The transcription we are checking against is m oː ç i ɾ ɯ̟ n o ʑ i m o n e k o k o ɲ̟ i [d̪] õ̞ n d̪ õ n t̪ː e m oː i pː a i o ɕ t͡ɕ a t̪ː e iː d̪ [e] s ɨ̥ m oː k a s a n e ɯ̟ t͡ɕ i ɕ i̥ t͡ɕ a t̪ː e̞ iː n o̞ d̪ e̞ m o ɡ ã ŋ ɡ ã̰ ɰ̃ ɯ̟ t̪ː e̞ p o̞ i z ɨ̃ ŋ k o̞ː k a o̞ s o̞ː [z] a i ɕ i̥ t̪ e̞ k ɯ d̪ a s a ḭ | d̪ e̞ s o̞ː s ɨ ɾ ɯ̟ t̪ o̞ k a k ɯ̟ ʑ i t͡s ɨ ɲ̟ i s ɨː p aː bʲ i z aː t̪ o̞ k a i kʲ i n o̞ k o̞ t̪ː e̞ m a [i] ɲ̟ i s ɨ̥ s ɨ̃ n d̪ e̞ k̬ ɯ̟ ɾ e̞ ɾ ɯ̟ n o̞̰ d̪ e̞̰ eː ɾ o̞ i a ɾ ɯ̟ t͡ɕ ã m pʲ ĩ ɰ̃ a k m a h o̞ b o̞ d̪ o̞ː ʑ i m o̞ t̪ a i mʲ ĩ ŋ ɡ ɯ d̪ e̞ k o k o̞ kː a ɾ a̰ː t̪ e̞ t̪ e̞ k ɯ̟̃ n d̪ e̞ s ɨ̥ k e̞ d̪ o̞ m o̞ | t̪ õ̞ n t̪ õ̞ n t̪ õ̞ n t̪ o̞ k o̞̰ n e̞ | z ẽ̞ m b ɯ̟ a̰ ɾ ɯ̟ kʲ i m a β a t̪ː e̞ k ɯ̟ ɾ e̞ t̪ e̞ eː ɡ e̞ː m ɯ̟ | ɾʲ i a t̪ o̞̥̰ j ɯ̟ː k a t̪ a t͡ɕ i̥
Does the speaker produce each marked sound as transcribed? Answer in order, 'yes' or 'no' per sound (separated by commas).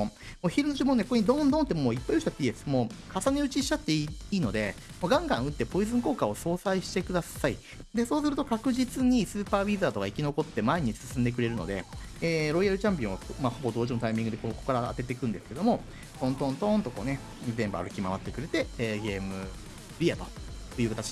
yes, yes, no, no